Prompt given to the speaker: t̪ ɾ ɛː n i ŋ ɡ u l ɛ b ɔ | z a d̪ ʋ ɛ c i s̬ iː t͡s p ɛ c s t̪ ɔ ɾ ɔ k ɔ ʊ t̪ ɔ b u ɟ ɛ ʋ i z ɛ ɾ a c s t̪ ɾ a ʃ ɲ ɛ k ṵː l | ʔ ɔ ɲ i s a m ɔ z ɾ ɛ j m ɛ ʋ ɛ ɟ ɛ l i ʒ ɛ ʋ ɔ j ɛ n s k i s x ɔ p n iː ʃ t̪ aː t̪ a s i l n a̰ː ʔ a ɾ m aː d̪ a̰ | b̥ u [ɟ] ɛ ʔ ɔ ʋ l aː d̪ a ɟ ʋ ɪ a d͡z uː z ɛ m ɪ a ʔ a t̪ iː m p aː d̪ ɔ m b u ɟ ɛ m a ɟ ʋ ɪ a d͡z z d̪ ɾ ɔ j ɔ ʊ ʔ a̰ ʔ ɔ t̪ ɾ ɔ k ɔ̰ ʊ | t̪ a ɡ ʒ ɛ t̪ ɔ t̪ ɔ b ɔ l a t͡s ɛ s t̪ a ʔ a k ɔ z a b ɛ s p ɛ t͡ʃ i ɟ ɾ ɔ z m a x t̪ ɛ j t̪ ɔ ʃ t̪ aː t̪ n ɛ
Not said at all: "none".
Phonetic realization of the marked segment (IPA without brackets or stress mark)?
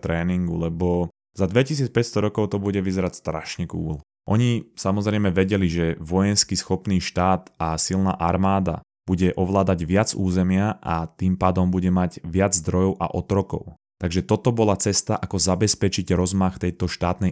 ɟ